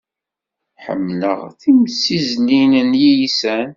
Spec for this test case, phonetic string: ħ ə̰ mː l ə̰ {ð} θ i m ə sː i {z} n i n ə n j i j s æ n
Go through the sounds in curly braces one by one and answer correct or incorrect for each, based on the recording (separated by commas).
incorrect, correct